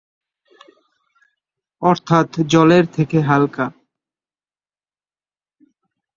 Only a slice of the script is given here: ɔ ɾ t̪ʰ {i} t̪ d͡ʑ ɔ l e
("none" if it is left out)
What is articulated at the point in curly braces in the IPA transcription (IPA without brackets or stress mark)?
a